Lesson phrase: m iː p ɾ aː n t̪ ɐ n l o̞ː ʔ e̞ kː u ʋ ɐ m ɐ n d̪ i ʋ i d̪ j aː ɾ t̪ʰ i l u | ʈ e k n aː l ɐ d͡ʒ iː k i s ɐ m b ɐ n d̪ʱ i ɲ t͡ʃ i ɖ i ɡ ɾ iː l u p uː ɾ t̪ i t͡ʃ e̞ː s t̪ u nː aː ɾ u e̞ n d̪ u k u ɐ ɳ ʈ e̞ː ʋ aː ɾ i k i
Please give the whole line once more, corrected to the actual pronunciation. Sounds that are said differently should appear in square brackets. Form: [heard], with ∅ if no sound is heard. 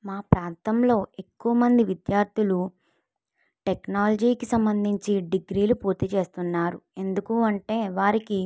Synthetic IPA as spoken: m [aː] p ɾ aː n t̪ ɐ [m] l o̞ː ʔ e̞ kː u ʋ ɐ m ɐ n d̪ i ʋ i d̪ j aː ɾ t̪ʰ i l u | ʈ e k n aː l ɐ d͡ʒ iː k i s ɐ m b ɐ n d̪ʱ i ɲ t͡ʃ i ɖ i ɡ ɾ iː l u p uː ɾ t̪ i t͡ʃ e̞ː s t̪ u nː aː ɾ u e̞ n d̪ u k u ɐ ɳ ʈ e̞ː ʋ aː ɾ i k i

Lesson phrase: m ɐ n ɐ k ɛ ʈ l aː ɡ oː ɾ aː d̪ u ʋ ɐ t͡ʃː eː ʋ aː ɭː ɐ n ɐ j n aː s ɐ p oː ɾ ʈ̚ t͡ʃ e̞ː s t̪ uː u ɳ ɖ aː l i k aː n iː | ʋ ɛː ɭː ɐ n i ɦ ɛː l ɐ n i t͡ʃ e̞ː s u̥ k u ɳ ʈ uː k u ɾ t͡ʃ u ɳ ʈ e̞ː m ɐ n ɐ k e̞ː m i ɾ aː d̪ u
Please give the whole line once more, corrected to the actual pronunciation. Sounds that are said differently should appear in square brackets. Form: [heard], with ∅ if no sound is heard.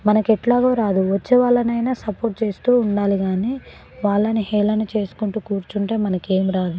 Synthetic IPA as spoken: m ɐ n ɐ k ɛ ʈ l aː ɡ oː ɾ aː d̪ u ʋ ɐ t͡ʃː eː ʋ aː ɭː ɐ n ɐ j n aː s ɐ p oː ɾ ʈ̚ t͡ʃ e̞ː s t̪ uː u ɳ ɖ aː l i [ɡ] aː n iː | ʋ [aː] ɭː ɐ n i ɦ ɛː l ɐ n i t͡ʃ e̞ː s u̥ k u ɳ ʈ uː k [uː] ɾ t͡ʃ u ɳ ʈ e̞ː m ɐ n ɐ k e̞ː m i ɾ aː d̪ u

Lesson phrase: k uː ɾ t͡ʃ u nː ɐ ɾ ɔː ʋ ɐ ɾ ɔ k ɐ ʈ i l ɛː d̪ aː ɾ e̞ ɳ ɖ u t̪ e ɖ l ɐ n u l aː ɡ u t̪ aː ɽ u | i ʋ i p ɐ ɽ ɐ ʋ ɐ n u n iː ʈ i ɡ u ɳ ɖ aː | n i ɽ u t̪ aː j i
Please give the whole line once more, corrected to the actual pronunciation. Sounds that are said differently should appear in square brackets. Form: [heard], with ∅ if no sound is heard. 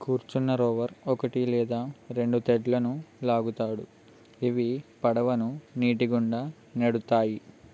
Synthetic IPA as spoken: k uː ɾ t͡ʃ u nː ɐ ɾ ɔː ʋ ɐ ɾ ɔ k ɐ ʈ i l ɛː d̪ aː ɾ e̞ ɳ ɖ u t̪ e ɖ l ɐ n u l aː ɡ u t̪ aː ɽ u | i ʋ i p ɐ ɽ ɐ ʋ ɐ n u n iː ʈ i ɡ u ɳ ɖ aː | n [e] ɽ u t̪ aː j i

